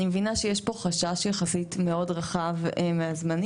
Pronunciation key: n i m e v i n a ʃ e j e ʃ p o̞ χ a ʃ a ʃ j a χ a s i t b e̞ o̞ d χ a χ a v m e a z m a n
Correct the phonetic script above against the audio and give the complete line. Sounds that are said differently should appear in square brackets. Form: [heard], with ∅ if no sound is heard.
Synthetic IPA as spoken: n i m e v i n a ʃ e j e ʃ p o̞ χ a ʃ a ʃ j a χ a s i t [m] e̞ o̞ d [ʁ] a χ a v m e a z m a n